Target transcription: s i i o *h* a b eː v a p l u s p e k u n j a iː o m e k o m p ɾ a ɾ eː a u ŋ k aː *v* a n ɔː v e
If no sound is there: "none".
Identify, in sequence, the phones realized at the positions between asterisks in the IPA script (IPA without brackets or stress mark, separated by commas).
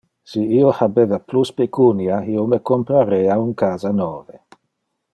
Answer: h, z